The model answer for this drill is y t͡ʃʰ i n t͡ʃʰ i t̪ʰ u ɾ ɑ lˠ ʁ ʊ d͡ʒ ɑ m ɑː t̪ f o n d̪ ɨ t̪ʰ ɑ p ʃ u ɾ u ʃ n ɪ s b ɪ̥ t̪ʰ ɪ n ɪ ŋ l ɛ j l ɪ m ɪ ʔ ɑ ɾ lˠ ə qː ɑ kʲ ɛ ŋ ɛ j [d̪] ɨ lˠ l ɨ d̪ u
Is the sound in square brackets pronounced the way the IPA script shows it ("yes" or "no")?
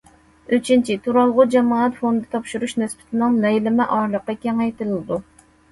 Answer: no